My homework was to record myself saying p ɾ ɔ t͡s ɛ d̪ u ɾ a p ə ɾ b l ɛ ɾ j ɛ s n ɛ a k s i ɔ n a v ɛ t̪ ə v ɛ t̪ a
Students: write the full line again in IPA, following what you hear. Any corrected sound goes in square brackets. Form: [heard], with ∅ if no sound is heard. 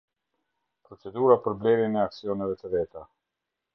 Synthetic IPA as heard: p ɾ ɔ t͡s ɛ d̪ u ɾ a p ə ɾ b l ɛ ɾ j ɛ [∅] n ɛ a k s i ɔ n [ɛ] v ɛ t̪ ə v ɛ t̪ a